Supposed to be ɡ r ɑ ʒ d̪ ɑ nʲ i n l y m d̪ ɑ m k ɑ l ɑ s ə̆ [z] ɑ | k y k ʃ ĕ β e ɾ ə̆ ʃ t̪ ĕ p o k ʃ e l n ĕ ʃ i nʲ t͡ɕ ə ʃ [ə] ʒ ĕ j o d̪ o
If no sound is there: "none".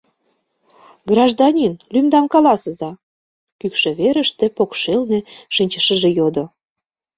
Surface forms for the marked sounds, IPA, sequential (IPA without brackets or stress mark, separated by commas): z, ə